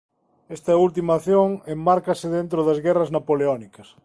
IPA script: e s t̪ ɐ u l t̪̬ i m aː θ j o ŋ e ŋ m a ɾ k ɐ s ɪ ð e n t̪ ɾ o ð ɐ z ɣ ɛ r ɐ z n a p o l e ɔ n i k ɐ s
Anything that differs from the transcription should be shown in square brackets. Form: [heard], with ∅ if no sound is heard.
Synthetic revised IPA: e s t̪ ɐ u l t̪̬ i m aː θ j o ŋ e [m] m a ɾ k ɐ s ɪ ð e n t̪ ɾ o ð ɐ z ɣ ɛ r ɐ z n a p o l e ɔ n i k ɐ s